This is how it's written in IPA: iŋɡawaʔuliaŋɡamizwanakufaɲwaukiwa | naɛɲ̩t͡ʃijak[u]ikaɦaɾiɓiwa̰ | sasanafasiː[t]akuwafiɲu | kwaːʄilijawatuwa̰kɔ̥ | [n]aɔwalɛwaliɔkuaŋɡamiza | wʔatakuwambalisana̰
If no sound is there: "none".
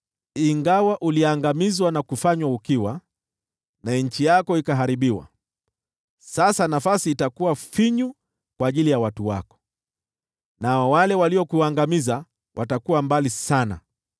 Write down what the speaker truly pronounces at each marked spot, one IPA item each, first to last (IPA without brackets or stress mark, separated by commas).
ɔ, t, n